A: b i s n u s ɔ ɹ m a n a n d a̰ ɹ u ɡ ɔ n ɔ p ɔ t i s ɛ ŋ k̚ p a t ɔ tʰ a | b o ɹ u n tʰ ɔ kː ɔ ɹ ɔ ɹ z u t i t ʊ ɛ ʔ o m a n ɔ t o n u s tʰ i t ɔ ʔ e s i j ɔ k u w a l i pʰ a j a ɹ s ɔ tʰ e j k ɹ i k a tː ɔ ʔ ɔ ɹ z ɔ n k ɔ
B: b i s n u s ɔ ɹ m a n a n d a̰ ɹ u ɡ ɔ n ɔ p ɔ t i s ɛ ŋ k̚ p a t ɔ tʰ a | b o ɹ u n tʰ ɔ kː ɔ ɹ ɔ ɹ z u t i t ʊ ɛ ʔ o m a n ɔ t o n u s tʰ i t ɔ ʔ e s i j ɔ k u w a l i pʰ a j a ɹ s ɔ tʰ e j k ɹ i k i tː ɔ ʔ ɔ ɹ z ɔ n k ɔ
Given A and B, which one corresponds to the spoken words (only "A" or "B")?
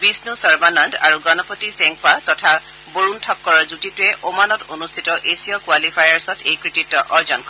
B